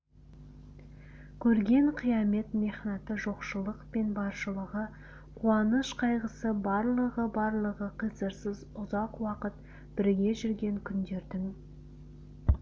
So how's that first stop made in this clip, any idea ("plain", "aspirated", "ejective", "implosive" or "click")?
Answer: aspirated